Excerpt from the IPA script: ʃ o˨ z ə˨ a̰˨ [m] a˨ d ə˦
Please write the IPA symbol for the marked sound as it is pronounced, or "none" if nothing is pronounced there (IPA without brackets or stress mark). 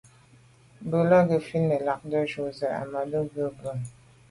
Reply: m